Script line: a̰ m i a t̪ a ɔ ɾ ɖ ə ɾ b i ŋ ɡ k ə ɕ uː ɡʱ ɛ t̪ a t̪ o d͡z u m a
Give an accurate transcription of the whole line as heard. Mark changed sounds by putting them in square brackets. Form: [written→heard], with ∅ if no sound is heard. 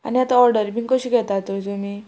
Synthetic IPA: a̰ [m→n] i a t̪ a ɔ ɾ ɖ ə ɾ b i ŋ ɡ k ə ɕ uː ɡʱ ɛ t̪ a t̪ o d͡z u m [a→i]